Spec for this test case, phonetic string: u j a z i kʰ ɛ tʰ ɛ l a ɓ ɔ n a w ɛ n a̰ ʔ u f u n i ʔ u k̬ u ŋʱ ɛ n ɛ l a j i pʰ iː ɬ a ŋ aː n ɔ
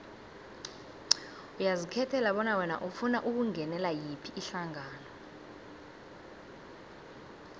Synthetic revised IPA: u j a z i kʰ ɛ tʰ ɛ l a ɓ ɔ n a w ɛ n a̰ ʔ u f u n a ʔ u k̬ u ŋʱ ɛ n ɛ l a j i pʰ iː ɬ a ŋ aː n ɔ